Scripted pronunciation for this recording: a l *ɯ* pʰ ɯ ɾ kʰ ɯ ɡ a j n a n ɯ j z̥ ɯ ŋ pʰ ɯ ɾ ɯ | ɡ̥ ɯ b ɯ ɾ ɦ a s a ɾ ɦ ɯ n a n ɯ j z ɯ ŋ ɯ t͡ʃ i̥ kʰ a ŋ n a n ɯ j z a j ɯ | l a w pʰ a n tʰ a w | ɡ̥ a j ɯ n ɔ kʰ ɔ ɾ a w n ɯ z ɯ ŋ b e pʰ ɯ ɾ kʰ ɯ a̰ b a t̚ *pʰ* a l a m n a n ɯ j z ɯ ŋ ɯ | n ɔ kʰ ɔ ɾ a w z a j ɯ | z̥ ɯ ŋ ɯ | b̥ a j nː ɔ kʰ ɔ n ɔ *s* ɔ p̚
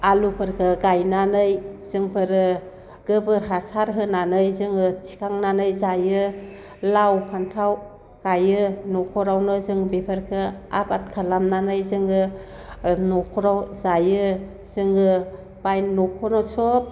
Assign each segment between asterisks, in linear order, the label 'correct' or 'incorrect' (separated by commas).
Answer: incorrect, incorrect, correct